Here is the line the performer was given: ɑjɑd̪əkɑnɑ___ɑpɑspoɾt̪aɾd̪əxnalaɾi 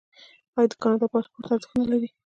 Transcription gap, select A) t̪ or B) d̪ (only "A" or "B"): B